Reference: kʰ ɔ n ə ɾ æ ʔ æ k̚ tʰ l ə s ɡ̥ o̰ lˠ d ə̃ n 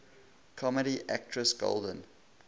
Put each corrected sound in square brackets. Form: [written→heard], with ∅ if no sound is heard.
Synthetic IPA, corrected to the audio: kʰ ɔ [n→m] ə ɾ [æ→i] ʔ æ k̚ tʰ [l→ɹ] ə s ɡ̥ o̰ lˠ d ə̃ n